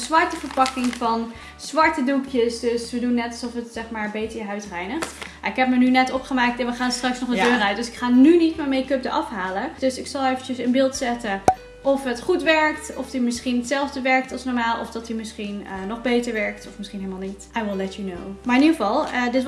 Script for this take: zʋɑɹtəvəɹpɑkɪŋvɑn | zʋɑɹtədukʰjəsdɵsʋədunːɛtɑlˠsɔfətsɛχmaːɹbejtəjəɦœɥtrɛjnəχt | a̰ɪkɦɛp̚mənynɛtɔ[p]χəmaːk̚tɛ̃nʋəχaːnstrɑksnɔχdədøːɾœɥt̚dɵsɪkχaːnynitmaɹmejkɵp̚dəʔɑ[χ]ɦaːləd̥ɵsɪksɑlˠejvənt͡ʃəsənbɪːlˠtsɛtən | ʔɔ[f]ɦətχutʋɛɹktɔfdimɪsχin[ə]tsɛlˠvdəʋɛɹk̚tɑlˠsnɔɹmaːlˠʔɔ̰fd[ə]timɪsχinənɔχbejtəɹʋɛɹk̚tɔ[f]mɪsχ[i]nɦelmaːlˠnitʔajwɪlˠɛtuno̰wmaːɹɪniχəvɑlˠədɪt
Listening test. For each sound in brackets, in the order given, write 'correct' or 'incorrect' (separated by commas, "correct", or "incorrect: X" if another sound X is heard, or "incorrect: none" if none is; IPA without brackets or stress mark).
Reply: correct, incorrect: f, correct, correct, incorrect: ɑ, correct, correct